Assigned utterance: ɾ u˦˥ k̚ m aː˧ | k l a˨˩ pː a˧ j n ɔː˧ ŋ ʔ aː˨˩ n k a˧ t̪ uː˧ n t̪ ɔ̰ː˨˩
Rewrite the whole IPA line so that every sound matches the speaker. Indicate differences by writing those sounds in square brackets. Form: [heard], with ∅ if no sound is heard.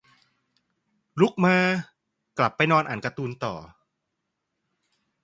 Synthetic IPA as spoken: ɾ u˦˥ k̚ m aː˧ | k l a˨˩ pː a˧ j n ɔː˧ [n] ʔ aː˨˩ n k a˧ t̪ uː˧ n t̪ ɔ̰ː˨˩